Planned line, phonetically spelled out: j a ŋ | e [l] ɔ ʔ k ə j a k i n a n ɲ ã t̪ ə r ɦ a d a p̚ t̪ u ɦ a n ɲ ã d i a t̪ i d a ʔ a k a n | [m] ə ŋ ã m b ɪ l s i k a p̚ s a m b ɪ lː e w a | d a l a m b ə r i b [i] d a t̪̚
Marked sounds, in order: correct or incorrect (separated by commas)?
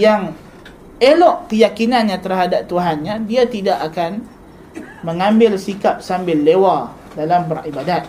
correct, correct, incorrect